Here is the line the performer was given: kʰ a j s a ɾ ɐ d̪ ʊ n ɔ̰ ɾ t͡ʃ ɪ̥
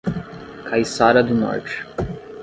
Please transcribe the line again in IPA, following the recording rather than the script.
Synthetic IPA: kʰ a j s a ɾ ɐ d̪ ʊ n ɔ̰ ɾ t͡ʃ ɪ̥